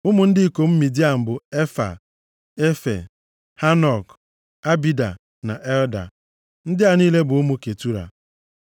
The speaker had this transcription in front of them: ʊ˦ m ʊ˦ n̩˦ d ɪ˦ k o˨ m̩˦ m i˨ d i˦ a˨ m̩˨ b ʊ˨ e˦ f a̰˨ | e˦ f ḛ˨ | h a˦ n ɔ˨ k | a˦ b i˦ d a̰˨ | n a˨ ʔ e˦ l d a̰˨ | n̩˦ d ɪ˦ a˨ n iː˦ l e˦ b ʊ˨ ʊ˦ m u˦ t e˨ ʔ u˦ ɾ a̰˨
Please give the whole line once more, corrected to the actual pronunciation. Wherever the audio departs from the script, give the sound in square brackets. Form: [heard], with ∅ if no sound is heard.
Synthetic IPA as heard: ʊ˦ m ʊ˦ n̩˦ d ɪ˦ k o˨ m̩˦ m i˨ d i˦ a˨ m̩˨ b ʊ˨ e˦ f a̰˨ | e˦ f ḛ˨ | h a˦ n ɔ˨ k | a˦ b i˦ d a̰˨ | n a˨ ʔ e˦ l d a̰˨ | n̩˦ d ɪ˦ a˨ n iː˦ l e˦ b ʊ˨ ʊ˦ m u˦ [k] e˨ [t] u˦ ɾ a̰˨